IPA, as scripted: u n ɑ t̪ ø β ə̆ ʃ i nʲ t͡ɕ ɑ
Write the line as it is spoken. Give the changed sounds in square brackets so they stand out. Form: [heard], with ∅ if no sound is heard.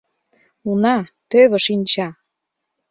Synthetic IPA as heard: u n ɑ t̪ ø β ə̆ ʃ i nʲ t͡ɕ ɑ